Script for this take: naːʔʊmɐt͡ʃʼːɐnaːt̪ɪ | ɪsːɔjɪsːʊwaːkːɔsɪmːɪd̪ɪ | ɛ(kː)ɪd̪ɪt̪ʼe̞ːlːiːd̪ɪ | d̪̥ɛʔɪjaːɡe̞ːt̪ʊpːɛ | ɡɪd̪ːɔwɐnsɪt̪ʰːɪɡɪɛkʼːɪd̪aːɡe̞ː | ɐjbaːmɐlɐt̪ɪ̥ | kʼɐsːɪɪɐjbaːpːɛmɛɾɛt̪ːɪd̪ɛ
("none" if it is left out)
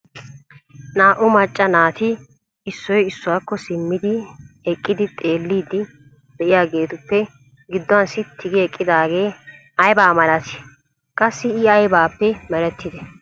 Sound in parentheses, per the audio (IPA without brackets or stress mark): kʼː